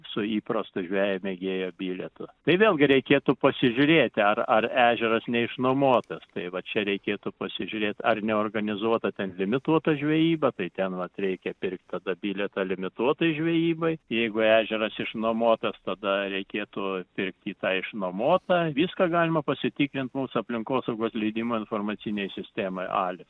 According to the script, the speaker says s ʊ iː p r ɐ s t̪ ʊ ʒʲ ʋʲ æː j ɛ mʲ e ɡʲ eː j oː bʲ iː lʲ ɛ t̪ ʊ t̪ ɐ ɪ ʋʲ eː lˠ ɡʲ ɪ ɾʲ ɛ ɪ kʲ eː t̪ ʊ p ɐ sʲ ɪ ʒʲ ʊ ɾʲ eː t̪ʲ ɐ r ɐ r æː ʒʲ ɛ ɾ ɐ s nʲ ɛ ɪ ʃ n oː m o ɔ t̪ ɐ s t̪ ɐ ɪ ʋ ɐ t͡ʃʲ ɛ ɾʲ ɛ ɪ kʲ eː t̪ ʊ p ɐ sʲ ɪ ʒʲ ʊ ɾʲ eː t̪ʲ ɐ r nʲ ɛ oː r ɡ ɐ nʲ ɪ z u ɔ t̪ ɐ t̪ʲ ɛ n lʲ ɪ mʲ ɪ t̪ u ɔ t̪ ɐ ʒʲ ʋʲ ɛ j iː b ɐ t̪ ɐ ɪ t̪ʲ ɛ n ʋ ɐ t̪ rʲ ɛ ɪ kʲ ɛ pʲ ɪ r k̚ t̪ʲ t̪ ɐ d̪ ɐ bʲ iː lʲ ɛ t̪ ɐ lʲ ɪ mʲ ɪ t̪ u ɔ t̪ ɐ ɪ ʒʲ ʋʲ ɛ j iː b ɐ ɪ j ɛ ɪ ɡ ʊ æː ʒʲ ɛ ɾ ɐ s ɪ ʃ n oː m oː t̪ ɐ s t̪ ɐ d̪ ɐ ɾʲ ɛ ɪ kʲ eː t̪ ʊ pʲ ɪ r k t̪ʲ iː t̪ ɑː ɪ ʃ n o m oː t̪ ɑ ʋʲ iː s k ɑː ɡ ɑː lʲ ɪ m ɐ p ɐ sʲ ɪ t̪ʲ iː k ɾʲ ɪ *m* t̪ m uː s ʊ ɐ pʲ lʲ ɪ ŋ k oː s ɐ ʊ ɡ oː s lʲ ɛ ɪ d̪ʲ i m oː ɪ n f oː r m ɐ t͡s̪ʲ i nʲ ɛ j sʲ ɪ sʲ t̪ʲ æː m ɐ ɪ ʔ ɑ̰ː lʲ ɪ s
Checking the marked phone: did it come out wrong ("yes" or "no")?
yes